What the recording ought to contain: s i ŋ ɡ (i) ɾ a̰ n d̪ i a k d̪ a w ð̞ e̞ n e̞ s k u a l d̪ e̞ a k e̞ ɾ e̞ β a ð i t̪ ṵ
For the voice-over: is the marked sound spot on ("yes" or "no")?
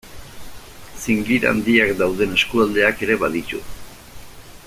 yes